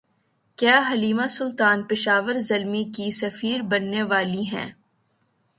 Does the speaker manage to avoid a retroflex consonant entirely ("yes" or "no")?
yes